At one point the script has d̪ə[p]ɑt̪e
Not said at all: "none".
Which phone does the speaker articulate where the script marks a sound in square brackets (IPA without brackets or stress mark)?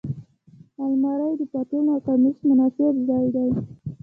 p